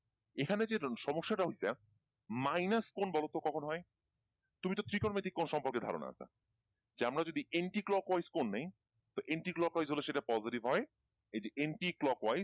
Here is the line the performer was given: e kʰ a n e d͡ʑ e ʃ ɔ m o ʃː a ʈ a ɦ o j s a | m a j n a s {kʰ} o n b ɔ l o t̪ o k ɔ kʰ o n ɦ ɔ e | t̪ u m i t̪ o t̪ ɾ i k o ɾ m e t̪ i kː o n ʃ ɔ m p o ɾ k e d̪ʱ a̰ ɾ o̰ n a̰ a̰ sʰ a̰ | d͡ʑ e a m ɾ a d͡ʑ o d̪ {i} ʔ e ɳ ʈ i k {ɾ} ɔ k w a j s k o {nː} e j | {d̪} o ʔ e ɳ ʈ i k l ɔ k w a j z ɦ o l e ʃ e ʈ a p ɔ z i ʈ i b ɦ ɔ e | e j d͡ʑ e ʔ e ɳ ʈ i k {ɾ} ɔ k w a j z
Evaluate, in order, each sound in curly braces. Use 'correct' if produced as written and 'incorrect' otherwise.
incorrect, correct, incorrect, correct, incorrect, incorrect

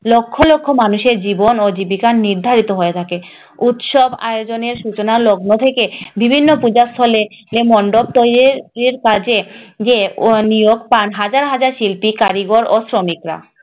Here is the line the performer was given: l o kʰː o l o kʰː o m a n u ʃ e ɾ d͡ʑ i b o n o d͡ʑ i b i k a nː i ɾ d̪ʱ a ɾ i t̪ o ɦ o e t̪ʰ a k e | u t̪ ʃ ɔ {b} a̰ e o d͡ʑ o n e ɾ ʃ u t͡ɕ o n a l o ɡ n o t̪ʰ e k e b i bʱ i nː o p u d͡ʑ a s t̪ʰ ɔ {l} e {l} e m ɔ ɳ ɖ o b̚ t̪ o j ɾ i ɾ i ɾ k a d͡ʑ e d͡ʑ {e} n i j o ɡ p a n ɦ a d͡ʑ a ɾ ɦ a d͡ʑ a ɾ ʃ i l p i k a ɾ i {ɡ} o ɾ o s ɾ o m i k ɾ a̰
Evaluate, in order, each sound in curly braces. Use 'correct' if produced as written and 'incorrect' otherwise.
correct, correct, correct, correct, correct

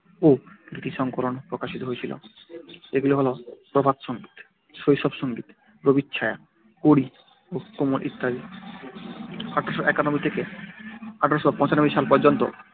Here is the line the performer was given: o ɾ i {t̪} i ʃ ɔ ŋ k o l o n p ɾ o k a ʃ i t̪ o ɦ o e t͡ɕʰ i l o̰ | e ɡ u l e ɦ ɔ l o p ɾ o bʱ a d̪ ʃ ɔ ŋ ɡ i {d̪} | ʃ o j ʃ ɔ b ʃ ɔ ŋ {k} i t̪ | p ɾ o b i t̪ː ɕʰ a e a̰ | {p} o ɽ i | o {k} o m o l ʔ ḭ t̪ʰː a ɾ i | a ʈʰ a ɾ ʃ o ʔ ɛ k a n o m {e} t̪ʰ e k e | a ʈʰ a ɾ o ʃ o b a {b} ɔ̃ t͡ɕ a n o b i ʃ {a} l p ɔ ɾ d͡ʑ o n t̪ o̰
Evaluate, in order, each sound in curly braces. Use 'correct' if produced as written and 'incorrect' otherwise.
correct, incorrect, incorrect, incorrect, correct, incorrect, incorrect, correct

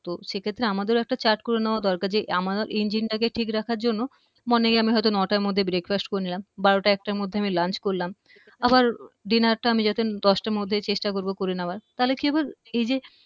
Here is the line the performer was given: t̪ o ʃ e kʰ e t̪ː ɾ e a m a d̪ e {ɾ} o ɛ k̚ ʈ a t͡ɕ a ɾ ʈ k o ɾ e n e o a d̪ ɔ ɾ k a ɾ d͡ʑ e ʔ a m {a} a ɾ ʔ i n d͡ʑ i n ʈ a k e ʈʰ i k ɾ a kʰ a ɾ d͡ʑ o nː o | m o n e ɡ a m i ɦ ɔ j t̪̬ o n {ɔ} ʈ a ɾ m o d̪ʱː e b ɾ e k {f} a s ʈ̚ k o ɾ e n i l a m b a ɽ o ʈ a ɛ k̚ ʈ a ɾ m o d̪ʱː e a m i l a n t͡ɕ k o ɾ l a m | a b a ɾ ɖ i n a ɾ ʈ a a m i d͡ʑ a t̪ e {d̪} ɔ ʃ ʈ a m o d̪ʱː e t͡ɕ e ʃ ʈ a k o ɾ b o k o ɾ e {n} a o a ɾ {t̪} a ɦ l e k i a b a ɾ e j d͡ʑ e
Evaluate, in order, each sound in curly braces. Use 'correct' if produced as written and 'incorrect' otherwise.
correct, correct, correct, correct, correct, correct, correct

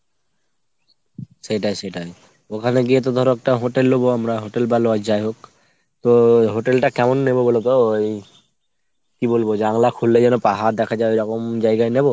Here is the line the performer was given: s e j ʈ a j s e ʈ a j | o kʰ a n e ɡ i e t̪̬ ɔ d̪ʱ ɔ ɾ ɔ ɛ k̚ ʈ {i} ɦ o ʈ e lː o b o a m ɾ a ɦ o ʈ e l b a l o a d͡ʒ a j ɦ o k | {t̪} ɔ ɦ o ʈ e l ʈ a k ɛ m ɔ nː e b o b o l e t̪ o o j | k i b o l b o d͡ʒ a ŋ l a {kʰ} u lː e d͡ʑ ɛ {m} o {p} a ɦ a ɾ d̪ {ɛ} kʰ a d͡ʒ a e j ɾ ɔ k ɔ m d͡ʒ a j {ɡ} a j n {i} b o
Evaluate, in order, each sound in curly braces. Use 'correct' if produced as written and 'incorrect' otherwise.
incorrect, correct, correct, incorrect, correct, correct, correct, incorrect

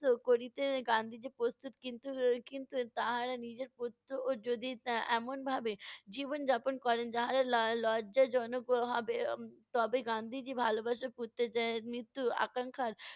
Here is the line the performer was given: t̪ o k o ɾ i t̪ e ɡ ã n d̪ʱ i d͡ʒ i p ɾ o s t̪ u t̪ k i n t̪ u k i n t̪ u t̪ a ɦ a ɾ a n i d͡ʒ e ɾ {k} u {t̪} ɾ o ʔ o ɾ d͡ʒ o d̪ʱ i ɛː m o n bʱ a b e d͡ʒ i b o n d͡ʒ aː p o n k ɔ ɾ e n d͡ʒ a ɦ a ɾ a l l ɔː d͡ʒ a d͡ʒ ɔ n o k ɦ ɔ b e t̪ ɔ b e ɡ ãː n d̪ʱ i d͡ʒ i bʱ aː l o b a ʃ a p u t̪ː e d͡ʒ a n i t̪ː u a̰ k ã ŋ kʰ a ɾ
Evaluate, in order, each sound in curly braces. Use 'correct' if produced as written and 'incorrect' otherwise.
incorrect, correct

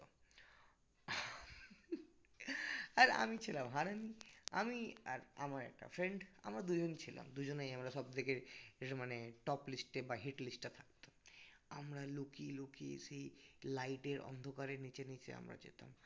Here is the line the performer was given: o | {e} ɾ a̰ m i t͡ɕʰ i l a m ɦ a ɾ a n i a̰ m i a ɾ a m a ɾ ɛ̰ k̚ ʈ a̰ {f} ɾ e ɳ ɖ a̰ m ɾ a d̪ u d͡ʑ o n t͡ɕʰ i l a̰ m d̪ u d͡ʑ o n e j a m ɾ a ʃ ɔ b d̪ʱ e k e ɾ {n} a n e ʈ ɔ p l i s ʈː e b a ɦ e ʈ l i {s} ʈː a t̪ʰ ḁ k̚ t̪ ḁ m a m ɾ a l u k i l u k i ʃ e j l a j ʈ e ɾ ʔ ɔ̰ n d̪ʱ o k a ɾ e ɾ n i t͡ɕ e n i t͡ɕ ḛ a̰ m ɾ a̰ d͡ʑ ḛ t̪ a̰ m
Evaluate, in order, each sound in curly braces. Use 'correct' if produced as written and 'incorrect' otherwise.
incorrect, correct, incorrect, correct

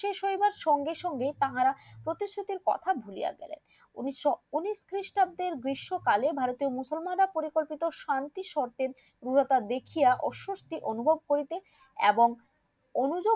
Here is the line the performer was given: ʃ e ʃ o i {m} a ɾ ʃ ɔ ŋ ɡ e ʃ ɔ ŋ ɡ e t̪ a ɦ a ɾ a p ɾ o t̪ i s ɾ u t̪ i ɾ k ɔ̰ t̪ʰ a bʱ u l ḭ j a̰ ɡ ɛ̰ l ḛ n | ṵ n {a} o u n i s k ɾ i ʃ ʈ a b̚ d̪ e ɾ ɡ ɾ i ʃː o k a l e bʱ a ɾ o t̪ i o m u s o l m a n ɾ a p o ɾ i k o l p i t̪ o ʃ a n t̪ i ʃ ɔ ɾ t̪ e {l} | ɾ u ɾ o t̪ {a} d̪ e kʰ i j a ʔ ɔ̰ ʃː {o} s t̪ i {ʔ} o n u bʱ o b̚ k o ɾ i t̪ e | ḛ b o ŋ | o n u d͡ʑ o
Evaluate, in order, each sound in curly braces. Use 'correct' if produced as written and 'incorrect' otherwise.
incorrect, incorrect, incorrect, correct, correct, correct

